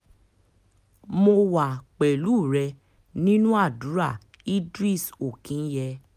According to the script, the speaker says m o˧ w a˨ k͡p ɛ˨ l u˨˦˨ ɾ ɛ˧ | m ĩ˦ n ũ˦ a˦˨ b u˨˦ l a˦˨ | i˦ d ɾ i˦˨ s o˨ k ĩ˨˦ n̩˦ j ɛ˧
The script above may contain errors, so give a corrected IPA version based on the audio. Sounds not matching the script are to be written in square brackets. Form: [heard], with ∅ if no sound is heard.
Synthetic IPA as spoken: m o˧ w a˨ k͡p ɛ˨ l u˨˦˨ ɾ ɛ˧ | [n] ĩ˦ n ũ˦ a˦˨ [d] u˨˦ [ɾ] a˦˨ | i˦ d ɾ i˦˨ s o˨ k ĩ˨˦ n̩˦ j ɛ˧